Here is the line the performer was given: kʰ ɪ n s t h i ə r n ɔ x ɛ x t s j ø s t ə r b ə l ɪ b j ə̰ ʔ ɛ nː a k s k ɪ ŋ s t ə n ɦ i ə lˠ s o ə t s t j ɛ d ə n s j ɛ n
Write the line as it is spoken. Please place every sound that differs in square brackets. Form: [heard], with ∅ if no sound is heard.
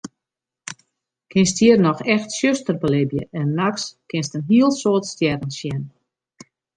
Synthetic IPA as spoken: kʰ ɪ n s t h i ə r n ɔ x ɛ x t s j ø s t ə r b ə l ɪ b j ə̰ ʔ ɛ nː a k s k ɪ [n] s t ə n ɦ i ə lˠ s o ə t s t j ɛ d ə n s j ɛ n